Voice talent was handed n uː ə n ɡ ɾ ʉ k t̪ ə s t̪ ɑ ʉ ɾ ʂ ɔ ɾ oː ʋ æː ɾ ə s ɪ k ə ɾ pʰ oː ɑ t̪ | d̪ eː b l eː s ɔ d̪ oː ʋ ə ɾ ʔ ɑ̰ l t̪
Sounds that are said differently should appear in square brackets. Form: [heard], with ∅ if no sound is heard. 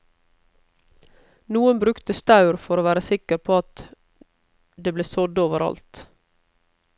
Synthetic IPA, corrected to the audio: n uː ə n [b] ɾ ʉ k t̪ ə s t̪ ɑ ʉ ɾ [f] ɔ ɾ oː ʋ æː ɾ ə s ɪ k ə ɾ pʰ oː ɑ t̪ | d̪ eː b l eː s ɔ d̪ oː ʋ ə ɾ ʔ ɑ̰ l t̪

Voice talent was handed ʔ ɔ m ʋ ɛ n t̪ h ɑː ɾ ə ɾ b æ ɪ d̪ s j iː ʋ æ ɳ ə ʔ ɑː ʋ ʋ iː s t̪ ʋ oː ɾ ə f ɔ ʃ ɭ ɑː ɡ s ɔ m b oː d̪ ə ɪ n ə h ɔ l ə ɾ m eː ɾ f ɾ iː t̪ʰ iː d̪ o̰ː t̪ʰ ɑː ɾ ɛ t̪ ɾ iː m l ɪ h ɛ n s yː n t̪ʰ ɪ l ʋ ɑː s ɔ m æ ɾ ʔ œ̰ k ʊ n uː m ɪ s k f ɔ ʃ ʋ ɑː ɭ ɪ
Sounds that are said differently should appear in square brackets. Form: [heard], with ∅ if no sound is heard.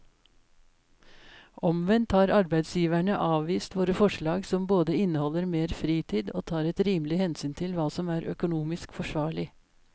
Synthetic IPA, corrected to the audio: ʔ ɔ m ʋ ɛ n t̪ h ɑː ɾ [ɑ] ɾ b æ ɪ d̪ s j iː ʋ æ ɳ ə ʔ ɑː ʋ ʋ iː s t̪ ʋ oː ɾ ə f ɔ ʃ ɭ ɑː ɡ s ɔ m b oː d̪ ə ɪ n ə h ɔ l ə ɾ m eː ɾ f ɾ iː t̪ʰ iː d̪ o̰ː t̪ʰ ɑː ɾ ɛ t̪ ɾ iː m l ɪ h ɛ n s yː n t̪ʰ ɪ l ʋ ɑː s ɔ m [æː] ɾ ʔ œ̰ k ʊ n uː m ɪ s k f ɔ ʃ ʋ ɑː ɭ ɪ

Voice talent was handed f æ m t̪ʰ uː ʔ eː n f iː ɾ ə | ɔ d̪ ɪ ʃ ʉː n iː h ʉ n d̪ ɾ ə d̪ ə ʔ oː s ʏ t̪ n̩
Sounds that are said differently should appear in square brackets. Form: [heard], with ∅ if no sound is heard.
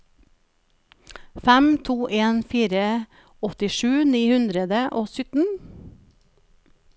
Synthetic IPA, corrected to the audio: f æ m t̪ʰ uː ʔ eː n f iː ɾ ə | ɔ [t̪] ɪ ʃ ʉː n iː h ʉ n d̪ ɾ ə d̪ ə ʔ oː s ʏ t̪ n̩

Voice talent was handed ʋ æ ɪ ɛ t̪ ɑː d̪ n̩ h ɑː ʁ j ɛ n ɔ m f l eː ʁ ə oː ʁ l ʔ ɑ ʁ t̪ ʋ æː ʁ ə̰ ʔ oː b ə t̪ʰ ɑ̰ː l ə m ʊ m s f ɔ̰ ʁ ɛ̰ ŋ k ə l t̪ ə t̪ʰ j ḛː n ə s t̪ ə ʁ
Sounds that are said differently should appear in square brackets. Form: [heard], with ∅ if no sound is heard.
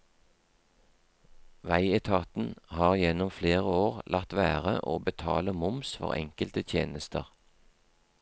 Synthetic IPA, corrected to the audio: ʋ æ ɪ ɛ [t̪ʰ] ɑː [t̪] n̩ h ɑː ʁ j ɛ n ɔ m f l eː ʁ ə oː ʁ l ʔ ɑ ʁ t̪ ʋ æː ʁ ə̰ ʔ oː b ə t̪ʰ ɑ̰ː l ə m ʊ m s f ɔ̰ ʁ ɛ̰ ŋ k ə l t̪ ə t̪ʰ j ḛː n ə s t̪ ə ʁ

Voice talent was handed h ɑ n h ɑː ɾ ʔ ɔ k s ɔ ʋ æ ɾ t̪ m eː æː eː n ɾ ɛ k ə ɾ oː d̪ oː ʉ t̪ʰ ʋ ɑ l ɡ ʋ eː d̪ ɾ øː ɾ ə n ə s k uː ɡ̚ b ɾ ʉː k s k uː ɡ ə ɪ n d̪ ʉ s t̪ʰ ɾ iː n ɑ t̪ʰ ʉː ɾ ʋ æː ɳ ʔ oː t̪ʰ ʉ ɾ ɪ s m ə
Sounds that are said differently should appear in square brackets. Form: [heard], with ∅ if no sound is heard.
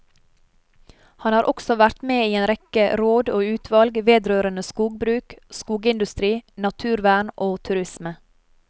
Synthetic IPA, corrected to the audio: h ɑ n h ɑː ɾ ʔ ɔ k s ɔ ʋ æ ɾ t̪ m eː [iː] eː n ɾ ɛ k ə ɾ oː d̪ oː [ʉː] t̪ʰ ʋ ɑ l ɡ ʋ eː d̪ ɾ øː ɾ ə n ə s k uː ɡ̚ b ɾ ʉː k s k uː ɡ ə ɪ n d̪ ʉ s [t̪] ɾ iː n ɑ t̪ʰ ʉː ɾ ʋ æː ɳ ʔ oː t̪ʰ ʉ ɾ ɪ s m ə

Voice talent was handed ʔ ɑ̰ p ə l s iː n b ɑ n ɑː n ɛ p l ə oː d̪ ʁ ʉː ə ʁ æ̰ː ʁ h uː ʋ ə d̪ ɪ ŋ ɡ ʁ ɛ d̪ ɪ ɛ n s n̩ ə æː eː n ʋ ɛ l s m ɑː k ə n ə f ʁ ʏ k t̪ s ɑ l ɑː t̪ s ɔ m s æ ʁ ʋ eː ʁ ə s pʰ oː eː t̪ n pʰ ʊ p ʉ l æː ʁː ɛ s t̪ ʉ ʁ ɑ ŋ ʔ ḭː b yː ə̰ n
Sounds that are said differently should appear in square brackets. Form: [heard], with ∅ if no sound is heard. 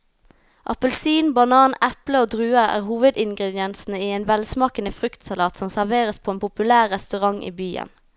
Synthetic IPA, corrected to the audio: ʔ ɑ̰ p ə l s iː n b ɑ n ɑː n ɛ p l ə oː d̪ ʁ ʉː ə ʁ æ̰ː ʁ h uː ʋ ə d̪ ɪ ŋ ɡ ʁ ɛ d̪ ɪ ɛ n s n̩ ə [iː] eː n ʋ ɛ l s m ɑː k ə n ə f ʁ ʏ k t̪ s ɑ l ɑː t̪ s ɔ m s æ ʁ ʋ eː ʁ ə s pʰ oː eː [∅] n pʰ ʊ p ʉ l æː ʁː ɛ s t̪ ʉ ʁ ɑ ŋ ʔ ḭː b yː ə̰ n

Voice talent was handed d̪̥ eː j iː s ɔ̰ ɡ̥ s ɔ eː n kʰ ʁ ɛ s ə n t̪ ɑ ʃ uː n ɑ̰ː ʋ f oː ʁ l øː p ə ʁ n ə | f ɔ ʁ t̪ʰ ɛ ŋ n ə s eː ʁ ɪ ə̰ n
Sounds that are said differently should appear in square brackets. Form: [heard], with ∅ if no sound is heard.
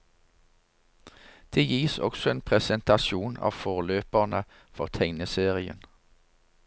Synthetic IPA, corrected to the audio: d̪̥ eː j iː s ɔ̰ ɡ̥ s ɔ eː n [pʰ] ʁ ɛ s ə n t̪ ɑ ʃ uː n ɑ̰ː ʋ f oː ʁ l øː p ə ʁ n ə | f ɔ ʁ t̪ʰ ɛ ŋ n ə s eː ʁ ɪ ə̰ n

